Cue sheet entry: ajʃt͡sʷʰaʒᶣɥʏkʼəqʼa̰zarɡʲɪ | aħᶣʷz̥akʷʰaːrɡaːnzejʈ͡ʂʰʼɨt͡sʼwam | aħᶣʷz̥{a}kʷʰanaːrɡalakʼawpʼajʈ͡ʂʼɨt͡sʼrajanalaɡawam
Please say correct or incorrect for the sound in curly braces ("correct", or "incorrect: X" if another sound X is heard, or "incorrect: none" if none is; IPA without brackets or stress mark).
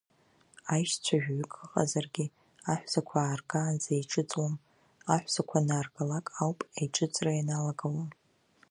correct